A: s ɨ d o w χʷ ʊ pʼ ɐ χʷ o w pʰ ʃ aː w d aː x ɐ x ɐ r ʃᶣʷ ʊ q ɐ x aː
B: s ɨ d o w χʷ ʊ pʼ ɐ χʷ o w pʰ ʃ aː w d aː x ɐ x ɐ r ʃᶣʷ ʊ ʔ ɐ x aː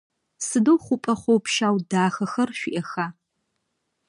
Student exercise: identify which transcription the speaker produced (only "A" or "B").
B